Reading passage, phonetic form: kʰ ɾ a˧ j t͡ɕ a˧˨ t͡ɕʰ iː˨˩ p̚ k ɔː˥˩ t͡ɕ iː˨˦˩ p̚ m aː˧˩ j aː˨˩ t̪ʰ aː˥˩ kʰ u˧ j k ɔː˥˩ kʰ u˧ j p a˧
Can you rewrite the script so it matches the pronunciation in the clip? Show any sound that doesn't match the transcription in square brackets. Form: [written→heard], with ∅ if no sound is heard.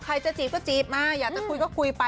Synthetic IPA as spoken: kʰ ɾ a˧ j t͡ɕ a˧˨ [t͡ɕʰ→t͡ɕ] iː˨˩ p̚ k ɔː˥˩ t͡ɕ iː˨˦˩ p̚ m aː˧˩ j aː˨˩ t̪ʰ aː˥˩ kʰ u˧ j k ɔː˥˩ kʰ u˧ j p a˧